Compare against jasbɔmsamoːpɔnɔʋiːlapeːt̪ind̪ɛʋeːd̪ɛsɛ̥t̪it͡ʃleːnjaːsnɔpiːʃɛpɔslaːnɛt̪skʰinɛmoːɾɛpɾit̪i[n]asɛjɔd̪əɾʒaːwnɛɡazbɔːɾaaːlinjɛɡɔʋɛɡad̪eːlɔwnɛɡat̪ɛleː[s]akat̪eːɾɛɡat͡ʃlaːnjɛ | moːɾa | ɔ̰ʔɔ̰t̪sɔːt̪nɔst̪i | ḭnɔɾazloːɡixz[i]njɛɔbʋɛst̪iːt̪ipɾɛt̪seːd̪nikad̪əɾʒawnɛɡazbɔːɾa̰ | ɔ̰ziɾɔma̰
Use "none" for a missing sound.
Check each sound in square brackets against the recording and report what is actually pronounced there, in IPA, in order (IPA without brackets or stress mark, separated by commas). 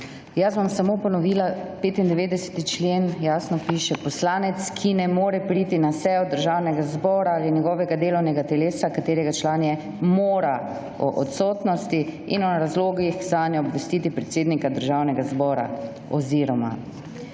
n, s, a